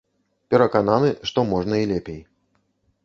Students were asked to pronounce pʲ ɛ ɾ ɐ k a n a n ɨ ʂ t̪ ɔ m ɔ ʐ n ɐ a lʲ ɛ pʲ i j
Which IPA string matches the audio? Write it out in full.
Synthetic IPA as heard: pʲ ɛ ɾ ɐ k a n a n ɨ ʂ t̪ ɔ m ɔ ʐ n ɐ i lʲ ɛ pʲ e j